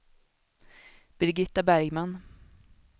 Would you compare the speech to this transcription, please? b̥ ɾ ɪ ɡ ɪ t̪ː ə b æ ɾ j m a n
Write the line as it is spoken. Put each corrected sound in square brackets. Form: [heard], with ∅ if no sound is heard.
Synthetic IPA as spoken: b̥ ɾ ɪ ɡ ɪ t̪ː [a] b æ ɾ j m a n